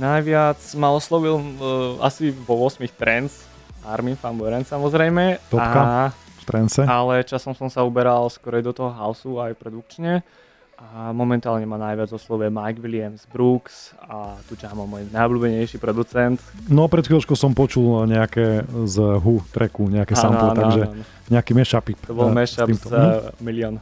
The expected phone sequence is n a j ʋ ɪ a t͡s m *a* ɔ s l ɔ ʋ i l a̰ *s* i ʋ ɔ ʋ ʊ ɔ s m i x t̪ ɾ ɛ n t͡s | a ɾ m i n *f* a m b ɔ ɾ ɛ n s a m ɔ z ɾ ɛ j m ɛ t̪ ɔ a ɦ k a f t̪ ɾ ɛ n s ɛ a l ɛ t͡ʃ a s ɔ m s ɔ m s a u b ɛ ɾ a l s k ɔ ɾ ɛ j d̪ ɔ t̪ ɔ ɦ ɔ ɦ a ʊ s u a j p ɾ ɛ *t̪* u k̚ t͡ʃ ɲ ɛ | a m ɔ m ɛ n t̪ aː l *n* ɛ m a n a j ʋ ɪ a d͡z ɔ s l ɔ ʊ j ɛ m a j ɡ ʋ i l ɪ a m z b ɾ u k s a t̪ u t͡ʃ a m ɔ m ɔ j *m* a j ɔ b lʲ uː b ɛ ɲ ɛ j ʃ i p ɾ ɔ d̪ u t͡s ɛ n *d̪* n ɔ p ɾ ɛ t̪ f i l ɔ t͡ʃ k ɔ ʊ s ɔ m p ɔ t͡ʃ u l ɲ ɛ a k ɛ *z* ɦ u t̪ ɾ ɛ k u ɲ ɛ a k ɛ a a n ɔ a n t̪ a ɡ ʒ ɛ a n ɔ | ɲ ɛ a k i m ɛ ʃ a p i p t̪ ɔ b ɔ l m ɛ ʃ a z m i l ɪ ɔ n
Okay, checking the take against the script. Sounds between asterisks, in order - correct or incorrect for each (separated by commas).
correct, correct, correct, incorrect, incorrect, incorrect, incorrect, correct